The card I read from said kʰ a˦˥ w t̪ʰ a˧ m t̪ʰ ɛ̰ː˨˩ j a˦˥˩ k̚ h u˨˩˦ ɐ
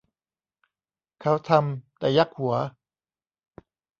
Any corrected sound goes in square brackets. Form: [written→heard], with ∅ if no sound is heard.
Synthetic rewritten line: kʰ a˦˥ w t̪ʰ a˧ m [t̪ʰ→t̪] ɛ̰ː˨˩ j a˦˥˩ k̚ h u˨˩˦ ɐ